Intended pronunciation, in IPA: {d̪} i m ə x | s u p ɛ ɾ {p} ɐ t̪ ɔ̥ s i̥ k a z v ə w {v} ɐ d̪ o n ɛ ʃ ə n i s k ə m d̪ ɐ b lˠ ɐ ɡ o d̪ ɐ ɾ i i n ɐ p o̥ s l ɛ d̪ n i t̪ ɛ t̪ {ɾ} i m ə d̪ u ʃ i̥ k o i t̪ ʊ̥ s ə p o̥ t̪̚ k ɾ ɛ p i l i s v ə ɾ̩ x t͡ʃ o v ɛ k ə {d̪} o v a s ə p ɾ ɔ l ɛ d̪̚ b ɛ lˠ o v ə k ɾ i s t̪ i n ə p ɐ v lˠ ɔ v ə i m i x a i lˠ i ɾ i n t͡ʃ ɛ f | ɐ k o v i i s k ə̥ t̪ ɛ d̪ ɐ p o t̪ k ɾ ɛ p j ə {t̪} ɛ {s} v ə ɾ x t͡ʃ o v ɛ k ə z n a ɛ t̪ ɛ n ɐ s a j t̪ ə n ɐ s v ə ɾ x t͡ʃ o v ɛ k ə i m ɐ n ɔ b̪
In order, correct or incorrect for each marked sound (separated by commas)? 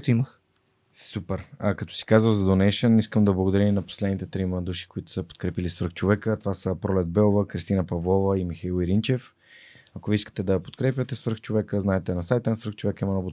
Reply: incorrect, incorrect, incorrect, correct, incorrect, correct, correct